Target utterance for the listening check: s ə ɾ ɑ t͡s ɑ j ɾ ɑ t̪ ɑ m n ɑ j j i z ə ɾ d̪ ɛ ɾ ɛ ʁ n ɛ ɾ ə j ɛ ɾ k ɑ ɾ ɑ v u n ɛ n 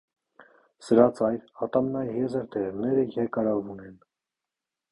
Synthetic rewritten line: s ə ɾ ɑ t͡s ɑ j ɾ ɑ t̪ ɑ m n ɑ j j ɛ z ə ɾ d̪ ɛ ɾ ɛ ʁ n ɛ ɾ ə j ɛ ɾ k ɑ ɾ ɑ v u n ɛ n